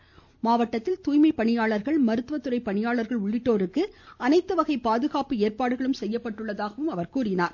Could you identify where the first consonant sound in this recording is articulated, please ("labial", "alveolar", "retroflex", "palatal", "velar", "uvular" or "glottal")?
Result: labial